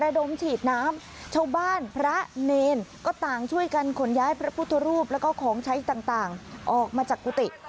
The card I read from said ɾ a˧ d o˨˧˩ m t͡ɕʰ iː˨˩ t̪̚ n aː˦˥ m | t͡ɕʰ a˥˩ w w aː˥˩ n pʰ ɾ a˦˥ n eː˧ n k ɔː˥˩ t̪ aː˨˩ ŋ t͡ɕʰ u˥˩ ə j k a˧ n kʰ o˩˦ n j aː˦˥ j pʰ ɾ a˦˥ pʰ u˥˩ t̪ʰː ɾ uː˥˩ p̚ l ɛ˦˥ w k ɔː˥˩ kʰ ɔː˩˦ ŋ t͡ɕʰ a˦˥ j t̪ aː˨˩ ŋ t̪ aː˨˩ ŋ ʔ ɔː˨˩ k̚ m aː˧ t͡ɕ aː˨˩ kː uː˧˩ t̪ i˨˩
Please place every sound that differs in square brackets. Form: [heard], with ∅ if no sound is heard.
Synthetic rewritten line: ɾ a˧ d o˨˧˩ m t͡ɕʰ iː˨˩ t̪̚ n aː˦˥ m | t͡ɕʰ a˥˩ w [b] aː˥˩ n pʰ ɾ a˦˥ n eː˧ n k ɔː˥˩ t̪ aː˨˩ ŋ t͡ɕʰ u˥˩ ə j k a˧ n kʰ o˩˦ n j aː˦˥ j pʰ ɾ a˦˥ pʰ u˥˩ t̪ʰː ɾ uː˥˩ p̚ l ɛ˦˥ w k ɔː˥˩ kʰ ɔː˩˦ ŋ t͡ɕʰ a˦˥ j t̪ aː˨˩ ŋ t̪ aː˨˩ ŋ ʔ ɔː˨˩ k̚ m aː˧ t͡ɕ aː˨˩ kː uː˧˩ t̪ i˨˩